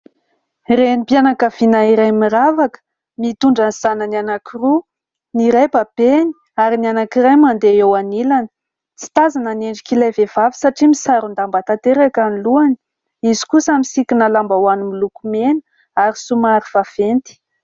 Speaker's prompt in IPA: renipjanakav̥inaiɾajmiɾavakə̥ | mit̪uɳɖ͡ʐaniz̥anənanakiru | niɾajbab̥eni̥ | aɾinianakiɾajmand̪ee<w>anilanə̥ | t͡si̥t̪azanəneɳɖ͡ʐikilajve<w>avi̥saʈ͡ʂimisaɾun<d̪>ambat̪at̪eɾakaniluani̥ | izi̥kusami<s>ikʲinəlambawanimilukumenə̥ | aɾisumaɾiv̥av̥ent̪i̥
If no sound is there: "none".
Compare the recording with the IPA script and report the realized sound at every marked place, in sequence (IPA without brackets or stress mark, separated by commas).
w, v, d̪, s